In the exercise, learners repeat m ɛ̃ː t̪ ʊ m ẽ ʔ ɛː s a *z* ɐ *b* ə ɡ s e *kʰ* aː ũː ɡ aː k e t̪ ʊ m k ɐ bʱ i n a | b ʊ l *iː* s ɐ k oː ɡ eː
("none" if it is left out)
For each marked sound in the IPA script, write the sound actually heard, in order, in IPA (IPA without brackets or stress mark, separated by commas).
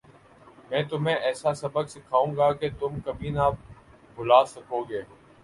s, b, kʰ, aː